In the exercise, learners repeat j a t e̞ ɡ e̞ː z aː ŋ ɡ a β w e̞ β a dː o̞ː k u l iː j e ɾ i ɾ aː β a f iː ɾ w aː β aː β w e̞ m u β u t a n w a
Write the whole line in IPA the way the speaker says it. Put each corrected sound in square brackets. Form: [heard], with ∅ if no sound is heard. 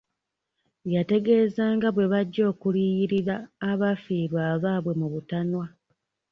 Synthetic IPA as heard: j a t e̞ ɡ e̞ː z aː ŋ ɡ a β w e̞ β a [ɟː] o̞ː k u l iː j [i] ɾ i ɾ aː β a f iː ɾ w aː β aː β w e̞ m u β u t a n w a